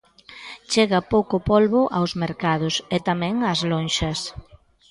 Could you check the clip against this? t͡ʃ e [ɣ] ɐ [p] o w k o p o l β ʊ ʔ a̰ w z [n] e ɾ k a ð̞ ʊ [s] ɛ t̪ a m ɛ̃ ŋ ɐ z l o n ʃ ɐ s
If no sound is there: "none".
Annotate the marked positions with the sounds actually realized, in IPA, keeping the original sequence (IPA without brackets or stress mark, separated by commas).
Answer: ɣ, p, m, s